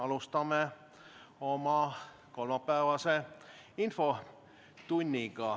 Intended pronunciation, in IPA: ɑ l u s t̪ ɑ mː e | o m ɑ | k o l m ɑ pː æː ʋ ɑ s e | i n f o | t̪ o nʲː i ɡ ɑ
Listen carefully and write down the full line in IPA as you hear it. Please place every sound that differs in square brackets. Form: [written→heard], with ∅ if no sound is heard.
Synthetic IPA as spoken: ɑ l u s t̪ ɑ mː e | o m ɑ | k o l m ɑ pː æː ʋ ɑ s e | i n f o | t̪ [o→u] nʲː i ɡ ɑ